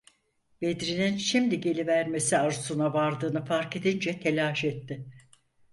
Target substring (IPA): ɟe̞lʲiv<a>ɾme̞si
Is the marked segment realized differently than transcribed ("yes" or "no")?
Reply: yes